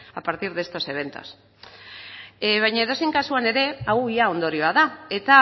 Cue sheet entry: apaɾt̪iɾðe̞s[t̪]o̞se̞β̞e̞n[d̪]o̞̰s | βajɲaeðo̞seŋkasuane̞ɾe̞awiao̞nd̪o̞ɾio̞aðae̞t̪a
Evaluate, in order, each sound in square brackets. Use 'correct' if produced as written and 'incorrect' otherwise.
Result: correct, incorrect

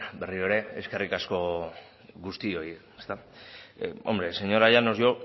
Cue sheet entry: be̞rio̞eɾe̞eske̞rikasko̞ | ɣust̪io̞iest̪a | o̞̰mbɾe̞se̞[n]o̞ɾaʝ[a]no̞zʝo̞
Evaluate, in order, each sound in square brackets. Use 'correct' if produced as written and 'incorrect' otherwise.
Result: incorrect, correct

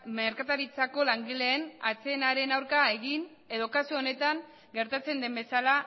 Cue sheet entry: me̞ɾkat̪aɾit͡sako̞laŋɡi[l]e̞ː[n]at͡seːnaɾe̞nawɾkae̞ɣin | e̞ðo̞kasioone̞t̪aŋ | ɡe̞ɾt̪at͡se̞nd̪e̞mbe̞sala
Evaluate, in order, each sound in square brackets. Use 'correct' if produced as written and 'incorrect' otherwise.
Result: correct, correct

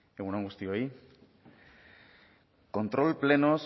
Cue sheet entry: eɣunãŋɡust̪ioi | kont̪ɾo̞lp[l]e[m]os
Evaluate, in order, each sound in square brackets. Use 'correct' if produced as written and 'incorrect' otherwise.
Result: correct, incorrect

